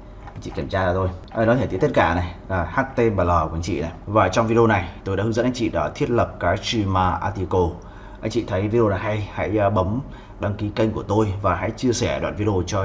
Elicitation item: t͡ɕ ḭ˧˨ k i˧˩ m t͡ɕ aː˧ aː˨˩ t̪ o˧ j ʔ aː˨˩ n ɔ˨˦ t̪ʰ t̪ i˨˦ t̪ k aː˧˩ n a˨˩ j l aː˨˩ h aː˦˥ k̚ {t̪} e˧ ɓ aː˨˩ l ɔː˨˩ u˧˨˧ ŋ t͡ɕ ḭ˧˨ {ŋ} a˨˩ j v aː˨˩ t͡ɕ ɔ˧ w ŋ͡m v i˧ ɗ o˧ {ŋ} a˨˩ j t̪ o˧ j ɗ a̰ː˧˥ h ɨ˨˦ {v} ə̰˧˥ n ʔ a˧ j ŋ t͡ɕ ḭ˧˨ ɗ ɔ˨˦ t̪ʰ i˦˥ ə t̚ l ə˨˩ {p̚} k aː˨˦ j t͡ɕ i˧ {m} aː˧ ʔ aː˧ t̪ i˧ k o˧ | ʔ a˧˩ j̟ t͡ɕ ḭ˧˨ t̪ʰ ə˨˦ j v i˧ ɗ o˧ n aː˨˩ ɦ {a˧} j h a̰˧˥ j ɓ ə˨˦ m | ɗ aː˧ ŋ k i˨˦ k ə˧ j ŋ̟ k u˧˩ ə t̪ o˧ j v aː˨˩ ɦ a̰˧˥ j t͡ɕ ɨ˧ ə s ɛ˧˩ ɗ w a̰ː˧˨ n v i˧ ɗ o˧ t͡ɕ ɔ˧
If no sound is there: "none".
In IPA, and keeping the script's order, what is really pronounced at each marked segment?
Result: t̪, n, n, z, p̚, m, a˧

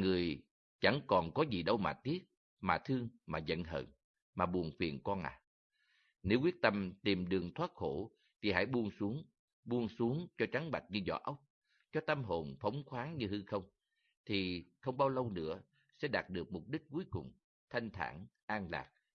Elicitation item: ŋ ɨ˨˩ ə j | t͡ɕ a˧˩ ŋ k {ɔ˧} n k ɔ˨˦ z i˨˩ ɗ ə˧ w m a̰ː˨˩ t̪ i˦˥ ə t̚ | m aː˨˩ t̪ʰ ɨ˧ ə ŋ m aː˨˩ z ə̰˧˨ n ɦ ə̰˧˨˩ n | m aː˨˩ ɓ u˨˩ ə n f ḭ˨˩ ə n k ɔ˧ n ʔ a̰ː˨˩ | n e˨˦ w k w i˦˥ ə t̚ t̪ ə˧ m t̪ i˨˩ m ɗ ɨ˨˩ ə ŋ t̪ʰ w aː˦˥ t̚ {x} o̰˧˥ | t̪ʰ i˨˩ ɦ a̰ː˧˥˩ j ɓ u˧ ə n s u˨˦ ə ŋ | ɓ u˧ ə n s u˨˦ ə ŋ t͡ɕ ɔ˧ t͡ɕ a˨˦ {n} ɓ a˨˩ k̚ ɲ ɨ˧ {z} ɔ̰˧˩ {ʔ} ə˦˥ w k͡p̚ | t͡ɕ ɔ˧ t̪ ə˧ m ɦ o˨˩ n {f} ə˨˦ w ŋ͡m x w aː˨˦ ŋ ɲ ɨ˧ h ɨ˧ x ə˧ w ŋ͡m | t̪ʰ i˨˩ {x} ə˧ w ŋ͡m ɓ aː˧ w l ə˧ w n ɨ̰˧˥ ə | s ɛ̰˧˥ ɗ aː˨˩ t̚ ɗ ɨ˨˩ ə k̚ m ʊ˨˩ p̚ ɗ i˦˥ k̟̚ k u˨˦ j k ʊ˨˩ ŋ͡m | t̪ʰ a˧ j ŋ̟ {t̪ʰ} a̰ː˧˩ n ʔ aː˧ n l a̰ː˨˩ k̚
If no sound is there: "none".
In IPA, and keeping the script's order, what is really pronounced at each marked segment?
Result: ɔ˨˩, x, ŋ, z, ʔ, f, x, t̪ʰ

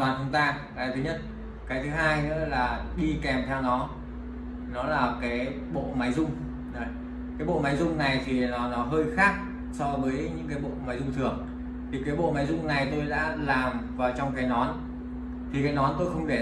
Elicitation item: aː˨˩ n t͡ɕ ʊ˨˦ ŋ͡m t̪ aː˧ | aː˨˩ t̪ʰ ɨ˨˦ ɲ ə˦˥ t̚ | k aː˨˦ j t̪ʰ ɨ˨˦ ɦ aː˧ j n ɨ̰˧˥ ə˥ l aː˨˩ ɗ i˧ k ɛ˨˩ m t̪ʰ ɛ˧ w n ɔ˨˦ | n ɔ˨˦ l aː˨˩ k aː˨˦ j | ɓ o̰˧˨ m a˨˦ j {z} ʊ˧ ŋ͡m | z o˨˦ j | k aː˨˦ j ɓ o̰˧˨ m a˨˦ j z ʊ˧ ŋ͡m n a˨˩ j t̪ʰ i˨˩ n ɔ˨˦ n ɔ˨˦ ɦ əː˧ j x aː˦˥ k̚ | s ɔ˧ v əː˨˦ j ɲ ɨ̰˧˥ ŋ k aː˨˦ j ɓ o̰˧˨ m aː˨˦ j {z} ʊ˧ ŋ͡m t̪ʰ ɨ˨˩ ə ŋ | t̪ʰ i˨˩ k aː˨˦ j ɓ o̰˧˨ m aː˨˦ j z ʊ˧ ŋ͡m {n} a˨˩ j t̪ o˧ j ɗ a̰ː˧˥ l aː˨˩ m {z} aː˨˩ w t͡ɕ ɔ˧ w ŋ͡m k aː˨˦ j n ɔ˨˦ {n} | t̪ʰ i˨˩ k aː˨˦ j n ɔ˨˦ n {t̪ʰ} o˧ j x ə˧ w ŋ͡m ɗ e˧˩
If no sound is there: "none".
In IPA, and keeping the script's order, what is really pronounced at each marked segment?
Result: z, z, n, v, n, t̪

